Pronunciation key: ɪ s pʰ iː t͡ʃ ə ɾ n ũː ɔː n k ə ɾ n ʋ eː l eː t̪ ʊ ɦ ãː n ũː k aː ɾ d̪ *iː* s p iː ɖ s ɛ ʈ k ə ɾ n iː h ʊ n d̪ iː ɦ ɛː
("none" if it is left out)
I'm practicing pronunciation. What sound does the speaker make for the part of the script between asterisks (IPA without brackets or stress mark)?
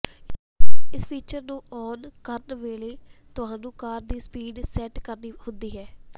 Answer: iː